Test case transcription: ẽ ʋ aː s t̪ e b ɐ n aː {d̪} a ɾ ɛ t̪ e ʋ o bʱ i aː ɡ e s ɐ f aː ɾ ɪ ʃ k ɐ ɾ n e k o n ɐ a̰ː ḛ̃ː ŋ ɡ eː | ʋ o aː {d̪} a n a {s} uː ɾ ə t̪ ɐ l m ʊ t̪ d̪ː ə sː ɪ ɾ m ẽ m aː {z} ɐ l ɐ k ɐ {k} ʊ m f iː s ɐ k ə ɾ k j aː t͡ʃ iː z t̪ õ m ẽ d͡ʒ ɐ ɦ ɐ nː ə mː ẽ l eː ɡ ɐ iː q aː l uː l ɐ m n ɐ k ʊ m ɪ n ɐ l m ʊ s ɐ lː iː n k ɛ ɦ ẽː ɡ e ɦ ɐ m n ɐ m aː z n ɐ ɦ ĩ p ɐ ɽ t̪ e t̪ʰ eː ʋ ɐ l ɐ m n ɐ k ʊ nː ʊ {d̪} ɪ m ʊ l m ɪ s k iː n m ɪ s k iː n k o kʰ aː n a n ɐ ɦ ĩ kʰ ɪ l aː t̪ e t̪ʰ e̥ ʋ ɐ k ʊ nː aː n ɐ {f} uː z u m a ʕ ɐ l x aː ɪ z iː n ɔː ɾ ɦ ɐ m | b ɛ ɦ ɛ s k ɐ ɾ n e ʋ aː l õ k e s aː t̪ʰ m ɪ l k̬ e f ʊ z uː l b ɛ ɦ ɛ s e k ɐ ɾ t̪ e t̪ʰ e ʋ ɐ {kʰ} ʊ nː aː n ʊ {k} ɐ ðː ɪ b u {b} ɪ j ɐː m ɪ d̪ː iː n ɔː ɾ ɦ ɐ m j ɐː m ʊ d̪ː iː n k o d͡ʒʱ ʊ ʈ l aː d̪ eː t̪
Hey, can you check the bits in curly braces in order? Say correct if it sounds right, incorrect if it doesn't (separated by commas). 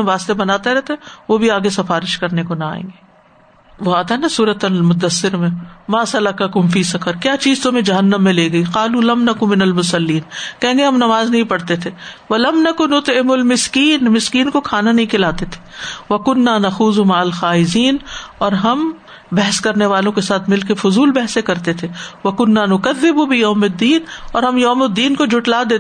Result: incorrect, incorrect, correct, incorrect, correct, incorrect, incorrect, incorrect, correct, correct